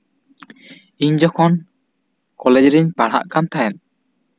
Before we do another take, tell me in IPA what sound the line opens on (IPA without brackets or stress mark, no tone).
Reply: i